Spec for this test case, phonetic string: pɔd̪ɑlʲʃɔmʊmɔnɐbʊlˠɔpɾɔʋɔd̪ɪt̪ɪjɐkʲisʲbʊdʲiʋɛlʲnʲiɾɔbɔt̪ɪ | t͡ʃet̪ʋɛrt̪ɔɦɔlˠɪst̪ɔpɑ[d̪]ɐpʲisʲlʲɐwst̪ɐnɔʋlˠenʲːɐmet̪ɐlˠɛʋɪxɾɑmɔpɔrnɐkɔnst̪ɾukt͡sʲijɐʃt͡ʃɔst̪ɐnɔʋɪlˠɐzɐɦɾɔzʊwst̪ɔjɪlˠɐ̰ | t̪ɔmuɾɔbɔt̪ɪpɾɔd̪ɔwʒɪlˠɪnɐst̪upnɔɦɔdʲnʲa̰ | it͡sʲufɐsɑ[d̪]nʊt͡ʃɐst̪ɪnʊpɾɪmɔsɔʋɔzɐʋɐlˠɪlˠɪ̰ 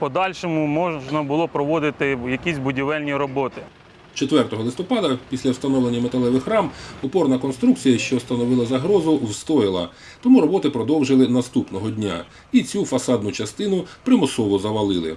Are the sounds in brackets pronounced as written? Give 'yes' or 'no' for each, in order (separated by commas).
yes, yes